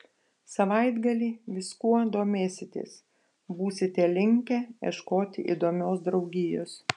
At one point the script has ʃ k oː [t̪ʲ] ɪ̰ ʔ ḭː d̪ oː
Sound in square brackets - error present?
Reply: no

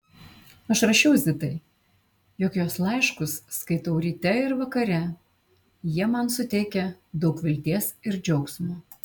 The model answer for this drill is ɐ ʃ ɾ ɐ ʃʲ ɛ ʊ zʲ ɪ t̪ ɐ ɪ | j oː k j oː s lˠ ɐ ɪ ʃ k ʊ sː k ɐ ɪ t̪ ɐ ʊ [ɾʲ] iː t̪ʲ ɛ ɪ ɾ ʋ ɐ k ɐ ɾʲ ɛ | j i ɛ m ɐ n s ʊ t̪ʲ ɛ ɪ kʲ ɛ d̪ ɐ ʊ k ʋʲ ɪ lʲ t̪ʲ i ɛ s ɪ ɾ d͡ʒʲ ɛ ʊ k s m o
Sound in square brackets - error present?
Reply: no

